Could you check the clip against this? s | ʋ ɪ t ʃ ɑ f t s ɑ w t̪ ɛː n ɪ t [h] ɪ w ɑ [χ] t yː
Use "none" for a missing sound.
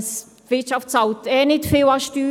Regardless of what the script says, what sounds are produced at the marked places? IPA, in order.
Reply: f, ʃ

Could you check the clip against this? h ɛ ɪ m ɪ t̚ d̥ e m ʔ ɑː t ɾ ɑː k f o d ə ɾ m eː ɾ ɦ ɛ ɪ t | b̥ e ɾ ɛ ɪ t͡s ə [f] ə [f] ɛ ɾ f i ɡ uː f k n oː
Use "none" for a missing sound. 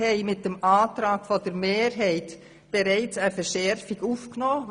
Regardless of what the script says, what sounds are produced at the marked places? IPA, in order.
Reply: f, ʃ

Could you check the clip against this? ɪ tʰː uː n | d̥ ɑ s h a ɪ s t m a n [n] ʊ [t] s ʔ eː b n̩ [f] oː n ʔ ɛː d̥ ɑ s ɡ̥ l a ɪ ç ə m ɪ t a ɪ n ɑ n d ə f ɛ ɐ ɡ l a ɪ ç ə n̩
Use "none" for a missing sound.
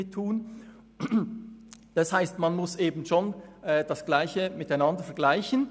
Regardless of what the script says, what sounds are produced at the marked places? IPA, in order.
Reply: m, none, ʃ

